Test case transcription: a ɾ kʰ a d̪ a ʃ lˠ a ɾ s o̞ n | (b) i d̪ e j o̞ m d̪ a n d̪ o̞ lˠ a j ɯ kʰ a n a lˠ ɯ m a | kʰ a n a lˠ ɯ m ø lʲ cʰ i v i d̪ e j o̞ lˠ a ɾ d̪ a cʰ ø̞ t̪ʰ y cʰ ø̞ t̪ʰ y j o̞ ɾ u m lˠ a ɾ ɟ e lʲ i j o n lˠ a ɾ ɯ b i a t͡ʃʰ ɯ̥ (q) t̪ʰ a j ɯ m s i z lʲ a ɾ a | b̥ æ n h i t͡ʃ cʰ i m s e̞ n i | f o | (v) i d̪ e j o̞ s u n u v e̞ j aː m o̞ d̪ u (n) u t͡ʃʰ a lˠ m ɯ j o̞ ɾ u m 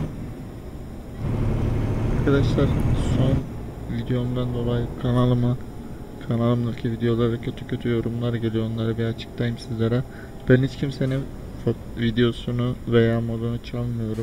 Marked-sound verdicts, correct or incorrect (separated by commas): incorrect, incorrect, correct, correct